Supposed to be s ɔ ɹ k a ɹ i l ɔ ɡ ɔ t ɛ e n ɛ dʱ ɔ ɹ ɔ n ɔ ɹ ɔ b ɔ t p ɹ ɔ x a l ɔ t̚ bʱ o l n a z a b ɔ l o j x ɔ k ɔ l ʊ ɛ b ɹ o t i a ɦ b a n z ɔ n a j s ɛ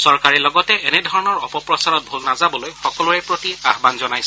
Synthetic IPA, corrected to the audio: s ɔ ɹ k a ɹ i l ɔ ɡ ɔ t ɛ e n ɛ dʱ ɔ ɹ ɔ n ɔ ɹ ɔ p ɔ p ɹ ɔ s a ɹ ɔ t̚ bʱ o l n a z a b ɔ l o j x ɔ k ɔ l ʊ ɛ p ɹ o t i a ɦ b a n z ɔ n a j s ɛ